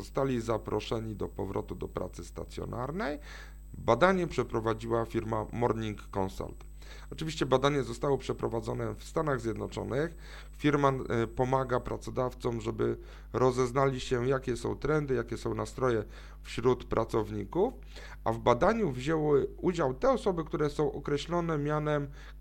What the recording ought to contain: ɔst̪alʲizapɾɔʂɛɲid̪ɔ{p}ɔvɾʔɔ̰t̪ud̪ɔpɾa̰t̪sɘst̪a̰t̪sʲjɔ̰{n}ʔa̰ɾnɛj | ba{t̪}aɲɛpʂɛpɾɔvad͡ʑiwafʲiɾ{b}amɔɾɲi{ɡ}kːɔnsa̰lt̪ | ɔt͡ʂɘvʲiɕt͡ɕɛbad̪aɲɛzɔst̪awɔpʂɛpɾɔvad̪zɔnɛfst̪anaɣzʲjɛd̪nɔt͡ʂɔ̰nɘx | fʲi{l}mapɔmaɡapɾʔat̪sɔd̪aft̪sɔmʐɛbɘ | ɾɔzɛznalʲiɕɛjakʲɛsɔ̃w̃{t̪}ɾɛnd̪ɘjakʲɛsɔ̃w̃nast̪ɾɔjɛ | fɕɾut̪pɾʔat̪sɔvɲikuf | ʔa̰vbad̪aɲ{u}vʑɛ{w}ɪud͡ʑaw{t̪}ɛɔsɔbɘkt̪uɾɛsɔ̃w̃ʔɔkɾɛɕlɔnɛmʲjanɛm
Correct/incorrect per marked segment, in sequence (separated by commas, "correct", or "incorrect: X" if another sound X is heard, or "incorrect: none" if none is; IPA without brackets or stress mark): correct, correct, incorrect: d̪, incorrect: m, incorrect: ŋ, incorrect: ɾ, correct, correct, correct, correct